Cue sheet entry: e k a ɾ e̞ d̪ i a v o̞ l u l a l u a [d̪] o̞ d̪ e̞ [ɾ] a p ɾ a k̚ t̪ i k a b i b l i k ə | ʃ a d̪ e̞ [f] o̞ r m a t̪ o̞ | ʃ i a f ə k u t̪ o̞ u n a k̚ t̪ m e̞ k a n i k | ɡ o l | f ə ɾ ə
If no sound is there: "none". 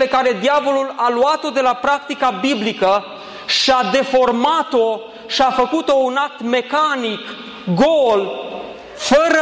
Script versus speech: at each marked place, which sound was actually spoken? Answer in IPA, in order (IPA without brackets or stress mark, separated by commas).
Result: t̪, l, f